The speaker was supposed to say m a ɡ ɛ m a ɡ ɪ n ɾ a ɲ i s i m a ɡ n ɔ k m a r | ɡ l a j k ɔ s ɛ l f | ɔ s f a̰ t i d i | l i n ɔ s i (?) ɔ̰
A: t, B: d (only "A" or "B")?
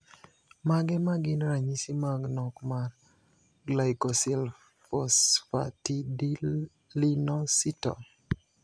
A